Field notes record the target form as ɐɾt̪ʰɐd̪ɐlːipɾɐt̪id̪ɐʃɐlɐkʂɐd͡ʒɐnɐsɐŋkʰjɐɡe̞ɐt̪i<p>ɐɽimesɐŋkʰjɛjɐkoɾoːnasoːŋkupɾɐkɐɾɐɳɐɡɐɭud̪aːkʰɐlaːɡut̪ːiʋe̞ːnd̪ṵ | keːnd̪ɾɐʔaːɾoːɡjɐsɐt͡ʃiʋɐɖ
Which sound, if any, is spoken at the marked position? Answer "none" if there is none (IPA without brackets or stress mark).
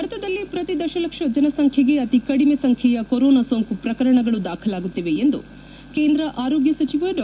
k